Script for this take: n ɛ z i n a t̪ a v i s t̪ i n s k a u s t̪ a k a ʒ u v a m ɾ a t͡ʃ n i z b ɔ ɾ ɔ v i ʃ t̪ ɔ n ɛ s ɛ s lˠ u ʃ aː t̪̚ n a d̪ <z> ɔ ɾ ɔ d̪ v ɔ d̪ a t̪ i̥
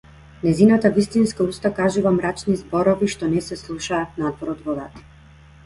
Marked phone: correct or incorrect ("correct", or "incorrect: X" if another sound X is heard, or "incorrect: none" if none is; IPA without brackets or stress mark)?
incorrect: v